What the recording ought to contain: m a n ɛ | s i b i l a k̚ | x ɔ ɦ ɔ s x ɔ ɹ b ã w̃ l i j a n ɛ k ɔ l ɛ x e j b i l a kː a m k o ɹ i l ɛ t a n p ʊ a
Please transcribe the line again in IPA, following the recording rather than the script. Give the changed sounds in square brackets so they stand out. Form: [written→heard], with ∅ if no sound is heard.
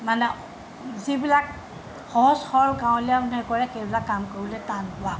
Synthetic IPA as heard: m a n ɛ | [s→z] i b i l a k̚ | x ɔ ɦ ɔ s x ɔ ɹ [b→ɡ] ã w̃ l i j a n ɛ k ɔ [l→ɹ] ɛ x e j b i l a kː a m k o ɹ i l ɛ t a n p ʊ a